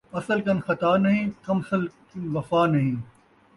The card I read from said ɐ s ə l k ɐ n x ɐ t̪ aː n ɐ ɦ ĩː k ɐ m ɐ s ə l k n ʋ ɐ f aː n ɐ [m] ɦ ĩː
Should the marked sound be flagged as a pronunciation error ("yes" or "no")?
yes